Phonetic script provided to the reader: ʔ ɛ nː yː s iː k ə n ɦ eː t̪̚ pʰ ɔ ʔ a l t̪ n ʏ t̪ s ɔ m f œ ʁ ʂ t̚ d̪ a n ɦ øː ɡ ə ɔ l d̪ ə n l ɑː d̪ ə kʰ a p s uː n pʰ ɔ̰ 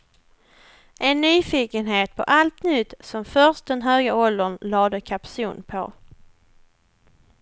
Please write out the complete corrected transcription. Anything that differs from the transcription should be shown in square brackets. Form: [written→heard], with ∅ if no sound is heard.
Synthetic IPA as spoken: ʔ ɛ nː yː [s→f] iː k ə n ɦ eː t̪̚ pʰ ɔ ʔ a l t̪ n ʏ t̪ s ɔ m f œ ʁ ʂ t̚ d̪ [a→ɛ] n ɦ øː ɡ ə ɔ l d̪ ə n l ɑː d̪ ə kʰ a p s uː n pʰ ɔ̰

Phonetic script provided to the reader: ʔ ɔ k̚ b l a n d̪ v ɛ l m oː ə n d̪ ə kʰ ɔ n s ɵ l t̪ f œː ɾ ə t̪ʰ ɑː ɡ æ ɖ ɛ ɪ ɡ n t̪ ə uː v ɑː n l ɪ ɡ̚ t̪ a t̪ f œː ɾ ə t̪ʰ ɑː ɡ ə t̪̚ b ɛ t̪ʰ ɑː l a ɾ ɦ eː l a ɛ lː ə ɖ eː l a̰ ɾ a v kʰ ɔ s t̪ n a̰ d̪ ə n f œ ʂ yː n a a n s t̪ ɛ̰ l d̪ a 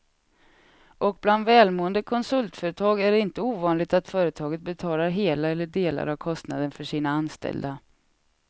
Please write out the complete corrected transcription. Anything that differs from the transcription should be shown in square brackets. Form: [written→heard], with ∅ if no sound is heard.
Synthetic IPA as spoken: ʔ ɔ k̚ b l a n d̪ v [ɛ→ɛː] l m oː ə n d̪ ə kʰ ɔ n s ɵ l t̪ f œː ɾ ə t̪ʰ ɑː ɡ æ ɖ ɛ ɪ [ɡ→∅] n t̪ ə uː v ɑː n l ɪ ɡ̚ t̪ a t̪ f œː ɾ ə t̪ʰ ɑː ɡ ə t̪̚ b ɛ t̪ʰ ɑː l a ɾ ɦ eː l a ɛ lː ə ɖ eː l a̰ ɾ a v kʰ ɔ s t̪ n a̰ d̪ ə n f œ ʂ [yː→iː] n a a n s t̪ ɛ̰ l d̪ a

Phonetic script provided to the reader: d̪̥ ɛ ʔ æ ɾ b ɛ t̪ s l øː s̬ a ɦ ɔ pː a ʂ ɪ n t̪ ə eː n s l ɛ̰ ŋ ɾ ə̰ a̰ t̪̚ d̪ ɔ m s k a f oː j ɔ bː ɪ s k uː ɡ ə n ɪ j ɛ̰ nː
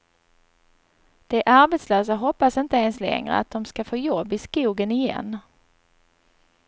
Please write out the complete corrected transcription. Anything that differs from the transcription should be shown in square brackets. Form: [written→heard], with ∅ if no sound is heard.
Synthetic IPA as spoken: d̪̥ ɛ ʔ [æ→a] ɾ b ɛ t̪ s l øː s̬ a ɦ ɔ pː a [ʂ→s] ɪ n t̪ ə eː n s l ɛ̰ ŋ ɾ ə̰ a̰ t̪̚ d̪ ɔ m s k a f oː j ɔ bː ɪ s k uː ɡ ə n ɪ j ɛ̰ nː

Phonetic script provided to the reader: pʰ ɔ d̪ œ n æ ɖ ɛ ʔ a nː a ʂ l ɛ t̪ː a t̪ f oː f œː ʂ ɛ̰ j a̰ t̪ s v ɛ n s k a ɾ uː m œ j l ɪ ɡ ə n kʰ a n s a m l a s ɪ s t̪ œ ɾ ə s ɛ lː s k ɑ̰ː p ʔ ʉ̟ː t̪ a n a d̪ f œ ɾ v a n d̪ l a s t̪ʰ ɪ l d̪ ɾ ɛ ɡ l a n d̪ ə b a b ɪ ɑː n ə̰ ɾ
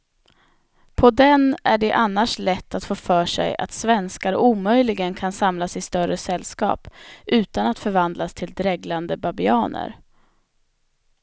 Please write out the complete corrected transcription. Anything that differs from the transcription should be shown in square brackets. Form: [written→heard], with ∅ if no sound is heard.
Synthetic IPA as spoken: pʰ ɔ d̪ [œ→ɛ] n æ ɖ ɛ ʔ a nː a ʂ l ɛ t̪ː a t̪ f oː f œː ʂ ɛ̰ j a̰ t̪ s v ɛ n s k a ɾ uː m œ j l ɪ ɡ ə n kʰ a n s a m l a s ɪ s t̪ œ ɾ ə s ɛ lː s k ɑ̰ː p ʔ ʉ̟ː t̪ a n a [d̪→t̪] f œ ɾ v a n d̪ l a s t̪ʰ ɪ l d̪ ɾ ɛ ɡ l a n d̪ ə b a b ɪ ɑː n ə̰ ɾ

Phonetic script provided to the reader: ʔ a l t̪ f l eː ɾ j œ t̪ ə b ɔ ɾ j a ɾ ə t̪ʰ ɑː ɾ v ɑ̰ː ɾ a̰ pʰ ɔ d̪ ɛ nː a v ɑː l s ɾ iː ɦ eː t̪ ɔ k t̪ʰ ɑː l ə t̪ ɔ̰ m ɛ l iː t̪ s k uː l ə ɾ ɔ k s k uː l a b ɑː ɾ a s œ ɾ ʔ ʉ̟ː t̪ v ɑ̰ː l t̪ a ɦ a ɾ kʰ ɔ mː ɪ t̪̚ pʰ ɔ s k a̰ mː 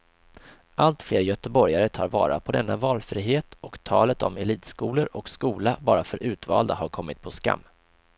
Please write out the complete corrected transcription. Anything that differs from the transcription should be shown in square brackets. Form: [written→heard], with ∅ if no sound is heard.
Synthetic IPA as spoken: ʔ a l t̪ f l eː ɾ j œ t̪ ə b ɔ ɾ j a ɾ ə t̪ʰ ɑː ɾ v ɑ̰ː ɾ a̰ pʰ ɔ d̪ ɛ nː a v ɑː l [s→f] ɾ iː ɦ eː t̪ ɔ k t̪ʰ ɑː l ə t̪ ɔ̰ m ɛ l iː t̪ s k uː l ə ɾ ɔ k s k uː l a b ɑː ɾ a [s→f] œ ɾ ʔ ʉ̟ː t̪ v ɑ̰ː l [t̪→d̪] a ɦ a ɾ kʰ ɔ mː ɪ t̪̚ pʰ ɔ s k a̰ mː

